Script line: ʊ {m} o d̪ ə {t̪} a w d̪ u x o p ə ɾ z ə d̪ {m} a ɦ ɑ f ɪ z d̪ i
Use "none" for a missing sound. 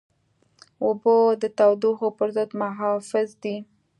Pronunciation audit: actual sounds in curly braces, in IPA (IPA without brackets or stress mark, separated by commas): b, t̪, m